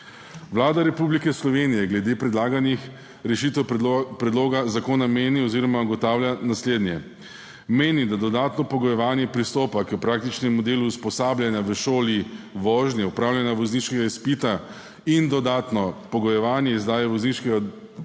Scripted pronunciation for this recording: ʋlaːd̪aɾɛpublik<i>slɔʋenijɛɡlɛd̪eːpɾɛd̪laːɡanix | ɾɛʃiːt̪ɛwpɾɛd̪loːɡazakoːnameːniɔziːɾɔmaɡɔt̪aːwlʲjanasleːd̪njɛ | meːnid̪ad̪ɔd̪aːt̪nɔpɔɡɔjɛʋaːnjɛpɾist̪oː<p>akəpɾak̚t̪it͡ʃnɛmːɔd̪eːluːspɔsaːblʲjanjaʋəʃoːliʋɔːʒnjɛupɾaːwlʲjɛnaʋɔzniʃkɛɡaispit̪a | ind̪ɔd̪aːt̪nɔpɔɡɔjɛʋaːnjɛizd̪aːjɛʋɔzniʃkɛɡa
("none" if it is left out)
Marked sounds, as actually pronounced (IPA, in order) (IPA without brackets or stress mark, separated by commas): ɛ, p